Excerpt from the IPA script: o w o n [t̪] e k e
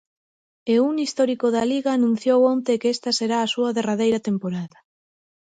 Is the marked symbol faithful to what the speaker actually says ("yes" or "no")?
yes